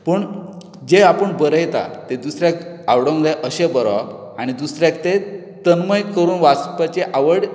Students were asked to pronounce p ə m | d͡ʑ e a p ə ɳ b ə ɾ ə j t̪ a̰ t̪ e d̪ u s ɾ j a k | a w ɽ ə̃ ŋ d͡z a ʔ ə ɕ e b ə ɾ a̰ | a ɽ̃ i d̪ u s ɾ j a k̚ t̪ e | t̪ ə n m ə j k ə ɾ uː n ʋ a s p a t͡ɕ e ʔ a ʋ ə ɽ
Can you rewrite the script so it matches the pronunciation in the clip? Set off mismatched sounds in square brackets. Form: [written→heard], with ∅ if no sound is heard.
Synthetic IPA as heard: p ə [m→ɳ] | d͡ʑ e a p ə ɳ b ə ɾ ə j t̪ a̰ t̪ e d̪ u s ɾ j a k | a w ɽ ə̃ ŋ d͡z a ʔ ə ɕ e b ə ɾ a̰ | a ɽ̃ i d̪ u s ɾ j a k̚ t̪ e | t̪ ə n m ə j k ə ɾ uː n ʋ a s p a t͡ɕ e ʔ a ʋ ə ɽ